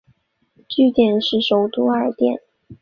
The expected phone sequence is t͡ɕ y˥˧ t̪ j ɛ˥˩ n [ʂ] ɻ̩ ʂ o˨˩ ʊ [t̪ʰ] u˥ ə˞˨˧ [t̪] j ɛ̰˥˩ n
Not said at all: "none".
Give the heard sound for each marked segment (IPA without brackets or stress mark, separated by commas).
ʂ, t̪, t̪